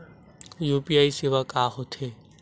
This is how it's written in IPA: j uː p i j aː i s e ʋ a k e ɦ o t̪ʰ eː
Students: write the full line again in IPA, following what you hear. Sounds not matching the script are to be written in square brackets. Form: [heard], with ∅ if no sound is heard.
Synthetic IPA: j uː p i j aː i s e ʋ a k [a] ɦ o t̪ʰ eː